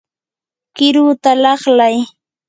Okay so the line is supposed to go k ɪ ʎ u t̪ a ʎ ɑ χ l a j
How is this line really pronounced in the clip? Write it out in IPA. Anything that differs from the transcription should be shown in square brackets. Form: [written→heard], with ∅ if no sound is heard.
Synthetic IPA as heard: k ɪ [ʎ→ɾ] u t̪ a [ʎ→l] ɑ χ l a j